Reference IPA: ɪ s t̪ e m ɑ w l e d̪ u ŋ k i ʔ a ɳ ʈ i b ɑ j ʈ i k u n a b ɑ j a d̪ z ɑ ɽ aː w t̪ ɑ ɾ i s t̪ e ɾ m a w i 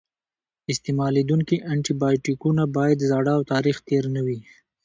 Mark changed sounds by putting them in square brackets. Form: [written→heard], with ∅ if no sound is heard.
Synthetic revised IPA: ɪ s t̪ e m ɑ [w→∅] l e d̪ u ŋ k i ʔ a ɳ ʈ i b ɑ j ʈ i k u n a b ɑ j a d̪ z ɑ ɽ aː w t̪ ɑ ɾ i [s→x] t̪ e ɾ [m→n] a w i